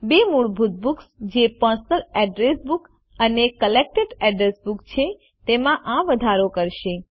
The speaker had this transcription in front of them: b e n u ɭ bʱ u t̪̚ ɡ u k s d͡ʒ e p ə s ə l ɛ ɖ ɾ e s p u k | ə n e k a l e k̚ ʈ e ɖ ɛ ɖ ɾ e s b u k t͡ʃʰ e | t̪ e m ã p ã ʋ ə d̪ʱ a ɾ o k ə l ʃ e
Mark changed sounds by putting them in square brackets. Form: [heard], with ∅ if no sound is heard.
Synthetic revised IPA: b e [m] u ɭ bʱ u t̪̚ [b] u k s d͡ʒ e p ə s ə l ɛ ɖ ɾ e s [b] u k | ə n e k [ə] l e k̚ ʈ e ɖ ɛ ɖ ɾ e s b u k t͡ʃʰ e | t̪ e m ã [ʔ] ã ʋ ə d̪ʱ a ɾ o k ə [ɾ] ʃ e

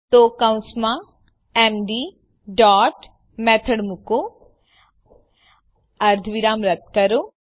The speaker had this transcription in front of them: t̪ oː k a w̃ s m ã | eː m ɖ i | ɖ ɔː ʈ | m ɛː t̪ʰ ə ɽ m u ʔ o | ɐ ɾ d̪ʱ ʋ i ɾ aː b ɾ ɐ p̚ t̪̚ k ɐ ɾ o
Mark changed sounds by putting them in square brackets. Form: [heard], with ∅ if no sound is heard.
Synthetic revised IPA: t̪ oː k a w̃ s m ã | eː m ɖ i | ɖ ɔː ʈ | m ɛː t̪ʰ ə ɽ m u [k] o | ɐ ɾ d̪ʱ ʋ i ɾ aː [m] ɾ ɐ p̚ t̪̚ k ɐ ɾ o

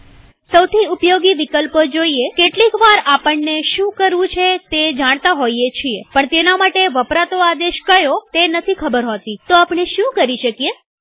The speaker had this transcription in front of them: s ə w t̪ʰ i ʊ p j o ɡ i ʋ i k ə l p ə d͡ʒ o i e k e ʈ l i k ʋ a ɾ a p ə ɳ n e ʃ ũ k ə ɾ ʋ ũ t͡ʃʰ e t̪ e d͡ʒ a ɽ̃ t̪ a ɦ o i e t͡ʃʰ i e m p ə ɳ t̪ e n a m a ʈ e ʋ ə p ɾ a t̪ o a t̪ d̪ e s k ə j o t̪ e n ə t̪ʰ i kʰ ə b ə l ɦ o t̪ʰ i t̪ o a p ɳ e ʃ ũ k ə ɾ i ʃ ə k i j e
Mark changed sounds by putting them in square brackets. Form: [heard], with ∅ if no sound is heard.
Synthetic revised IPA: s ə w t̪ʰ i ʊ p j o ɡ i ʋ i k ə l p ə d͡ʒ o i e k e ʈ l i k ʋ a ɾ a p ə ɳ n e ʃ ũ k ə ɾ ʋ ũ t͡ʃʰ e t̪ e d͡ʒ a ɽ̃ t̪ a ɦ o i e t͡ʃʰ i e [∅] p ə ɳ t̪ e n a m a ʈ e ʋ ə p ɾ a t̪ o a [∅] d̪ e [ʃ] k ə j o t̪ e n ə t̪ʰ i kʰ ə b ə [ɾ] ɦ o [t̪] i t̪ o a p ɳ e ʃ ũ k ə ɾ i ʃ ə k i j e

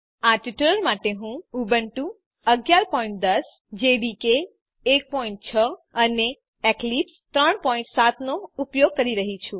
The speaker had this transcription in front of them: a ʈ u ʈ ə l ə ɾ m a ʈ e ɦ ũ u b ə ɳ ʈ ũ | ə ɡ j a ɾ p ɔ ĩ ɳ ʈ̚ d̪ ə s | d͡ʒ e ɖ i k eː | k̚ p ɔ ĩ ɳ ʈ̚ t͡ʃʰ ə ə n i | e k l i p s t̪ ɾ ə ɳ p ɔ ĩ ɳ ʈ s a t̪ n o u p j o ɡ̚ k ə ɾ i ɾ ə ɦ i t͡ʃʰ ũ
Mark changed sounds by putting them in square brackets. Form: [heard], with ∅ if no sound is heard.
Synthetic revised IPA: a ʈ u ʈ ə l ə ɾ m a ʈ e ɦ ũ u b ə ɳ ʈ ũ | ə ɡ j a ɾ p ɔ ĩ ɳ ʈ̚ d̪ ə s | d͡ʒ e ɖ i k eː | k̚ p ɔ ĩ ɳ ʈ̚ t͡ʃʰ ə ə n [e] | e k l i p s t̪ ɾ ə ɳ p ɔ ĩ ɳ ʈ s a t̪ n o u p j o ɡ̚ k ə ɾ i ɾ ə ɦ i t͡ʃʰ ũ

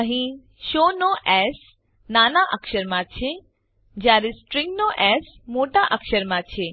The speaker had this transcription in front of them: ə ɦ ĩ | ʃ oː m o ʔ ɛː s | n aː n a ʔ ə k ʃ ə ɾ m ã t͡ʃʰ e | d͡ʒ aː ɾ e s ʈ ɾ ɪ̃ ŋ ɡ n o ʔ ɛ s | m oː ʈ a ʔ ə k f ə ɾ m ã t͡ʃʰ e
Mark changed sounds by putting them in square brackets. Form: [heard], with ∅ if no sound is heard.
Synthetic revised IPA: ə ɦ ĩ | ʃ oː [n] o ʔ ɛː s | n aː n a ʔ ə k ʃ ə ɾ m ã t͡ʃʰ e | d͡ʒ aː ɾ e s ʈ ɾ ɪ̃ ŋ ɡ n o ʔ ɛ s | m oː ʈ a ʔ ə k [ʃ] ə ɾ m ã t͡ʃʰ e

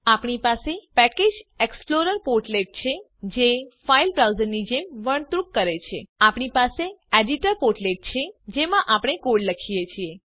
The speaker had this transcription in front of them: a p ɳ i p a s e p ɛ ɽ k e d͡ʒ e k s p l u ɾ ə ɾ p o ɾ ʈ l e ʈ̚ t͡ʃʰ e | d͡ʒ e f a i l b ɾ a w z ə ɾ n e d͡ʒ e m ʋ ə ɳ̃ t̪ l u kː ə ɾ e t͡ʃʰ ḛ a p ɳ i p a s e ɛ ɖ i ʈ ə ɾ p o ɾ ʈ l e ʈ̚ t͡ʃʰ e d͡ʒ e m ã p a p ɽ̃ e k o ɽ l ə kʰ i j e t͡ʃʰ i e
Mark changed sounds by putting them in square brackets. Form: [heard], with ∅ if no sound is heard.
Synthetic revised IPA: a p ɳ i p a s e p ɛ [∅] k e d͡ʒ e k s p l [o] ɾ ə ɾ p o ɾ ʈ l e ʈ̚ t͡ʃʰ e | d͡ʒ e f a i l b ɾ a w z ə ɾ n [i] d͡ʒ e m ʋ ə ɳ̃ t̪ [ɾ] u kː ə ɾ e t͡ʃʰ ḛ a p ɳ i p a s e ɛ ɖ i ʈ ə ɾ p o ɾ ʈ l e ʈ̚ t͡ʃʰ e d͡ʒ e m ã [ʔ] a p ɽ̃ e k o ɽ l ə kʰ i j e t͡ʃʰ i e

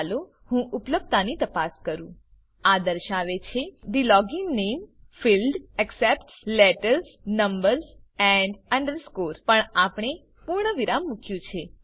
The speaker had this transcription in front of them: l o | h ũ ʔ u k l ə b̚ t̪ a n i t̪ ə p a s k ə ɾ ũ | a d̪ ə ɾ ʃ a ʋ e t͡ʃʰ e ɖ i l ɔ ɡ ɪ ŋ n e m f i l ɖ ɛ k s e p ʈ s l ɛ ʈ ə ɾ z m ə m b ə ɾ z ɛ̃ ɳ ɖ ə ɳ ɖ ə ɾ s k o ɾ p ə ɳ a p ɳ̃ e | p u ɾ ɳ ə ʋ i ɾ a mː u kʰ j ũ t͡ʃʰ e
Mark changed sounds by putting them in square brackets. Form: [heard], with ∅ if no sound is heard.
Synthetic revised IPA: l o | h ũ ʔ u [p] l ə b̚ t̪ a n i t̪ ə p a s k ə ɾ ũ | a d̪ ə ɾ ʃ a ʋ e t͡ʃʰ e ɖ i l ɔ ɡ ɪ ŋ n e m f i l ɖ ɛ k s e p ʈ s l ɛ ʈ ə ɾ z [n] ə m b ə ɾ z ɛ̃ ɳ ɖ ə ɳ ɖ ə ɾ s k o ɾ p ə ɳ a p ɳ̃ e | p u ɾ ɳ ə ʋ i ɾ a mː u kʰ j ũ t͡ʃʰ e

